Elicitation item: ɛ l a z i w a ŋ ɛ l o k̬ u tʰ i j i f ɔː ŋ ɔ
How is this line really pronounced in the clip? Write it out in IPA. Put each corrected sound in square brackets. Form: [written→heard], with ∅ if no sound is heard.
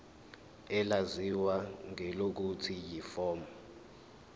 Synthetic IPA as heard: ɛ l a z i w a ŋ ɛ l o k̬ u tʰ i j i f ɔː [ŋ→m] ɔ